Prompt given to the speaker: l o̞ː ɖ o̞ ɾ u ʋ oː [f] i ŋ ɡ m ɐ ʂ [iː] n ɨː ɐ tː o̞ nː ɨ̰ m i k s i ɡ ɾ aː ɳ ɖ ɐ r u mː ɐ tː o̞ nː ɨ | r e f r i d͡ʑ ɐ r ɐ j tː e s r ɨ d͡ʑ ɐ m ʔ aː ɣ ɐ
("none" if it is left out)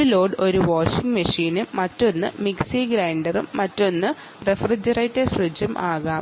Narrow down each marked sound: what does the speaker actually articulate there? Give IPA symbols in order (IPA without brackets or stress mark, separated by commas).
ʂ, iː